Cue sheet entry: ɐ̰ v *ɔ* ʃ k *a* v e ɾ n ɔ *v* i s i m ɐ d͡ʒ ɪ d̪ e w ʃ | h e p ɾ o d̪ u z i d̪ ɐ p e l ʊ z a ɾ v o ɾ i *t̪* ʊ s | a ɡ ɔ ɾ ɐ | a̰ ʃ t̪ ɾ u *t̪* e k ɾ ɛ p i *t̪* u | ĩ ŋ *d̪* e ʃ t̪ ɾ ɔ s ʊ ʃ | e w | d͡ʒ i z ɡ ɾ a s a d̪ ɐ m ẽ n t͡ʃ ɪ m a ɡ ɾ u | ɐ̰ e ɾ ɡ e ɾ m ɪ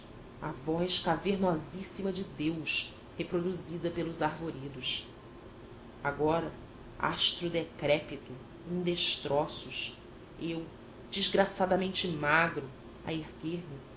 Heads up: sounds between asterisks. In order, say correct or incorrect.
correct, correct, incorrect, incorrect, incorrect, correct, correct

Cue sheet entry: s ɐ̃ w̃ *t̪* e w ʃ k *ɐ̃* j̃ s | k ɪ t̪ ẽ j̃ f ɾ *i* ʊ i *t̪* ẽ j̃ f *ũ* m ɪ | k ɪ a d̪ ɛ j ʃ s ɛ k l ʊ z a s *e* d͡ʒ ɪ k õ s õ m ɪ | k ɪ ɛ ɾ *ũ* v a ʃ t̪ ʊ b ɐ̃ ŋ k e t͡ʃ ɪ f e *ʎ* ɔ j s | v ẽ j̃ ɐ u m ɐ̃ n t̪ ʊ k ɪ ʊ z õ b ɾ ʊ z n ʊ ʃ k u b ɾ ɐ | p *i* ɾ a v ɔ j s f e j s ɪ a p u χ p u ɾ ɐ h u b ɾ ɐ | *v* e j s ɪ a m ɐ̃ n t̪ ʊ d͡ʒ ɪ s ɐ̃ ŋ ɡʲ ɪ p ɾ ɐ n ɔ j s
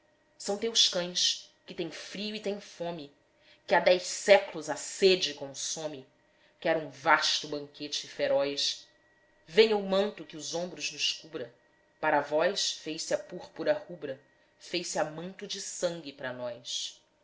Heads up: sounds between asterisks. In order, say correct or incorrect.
correct, correct, correct, correct, incorrect, correct, correct, incorrect, incorrect, incorrect

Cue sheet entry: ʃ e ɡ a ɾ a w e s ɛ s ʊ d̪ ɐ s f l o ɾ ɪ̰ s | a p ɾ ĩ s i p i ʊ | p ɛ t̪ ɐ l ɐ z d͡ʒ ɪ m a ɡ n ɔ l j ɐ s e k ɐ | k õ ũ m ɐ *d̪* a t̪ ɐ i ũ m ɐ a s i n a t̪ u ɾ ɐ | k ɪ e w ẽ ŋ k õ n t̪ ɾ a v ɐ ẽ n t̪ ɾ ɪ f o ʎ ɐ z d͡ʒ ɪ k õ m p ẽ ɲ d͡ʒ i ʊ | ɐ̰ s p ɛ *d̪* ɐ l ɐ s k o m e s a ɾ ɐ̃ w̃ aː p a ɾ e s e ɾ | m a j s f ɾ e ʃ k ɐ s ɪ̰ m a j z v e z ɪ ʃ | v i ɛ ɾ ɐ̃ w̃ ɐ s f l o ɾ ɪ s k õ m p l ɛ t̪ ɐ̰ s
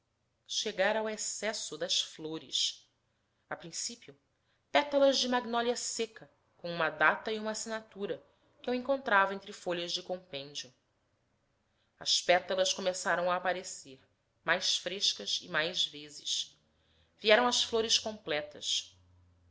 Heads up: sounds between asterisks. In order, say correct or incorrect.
correct, incorrect

